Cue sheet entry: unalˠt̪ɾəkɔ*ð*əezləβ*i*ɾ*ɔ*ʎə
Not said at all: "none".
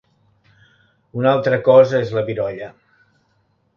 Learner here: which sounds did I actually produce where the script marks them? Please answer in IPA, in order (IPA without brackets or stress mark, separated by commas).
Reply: z, i, ɔ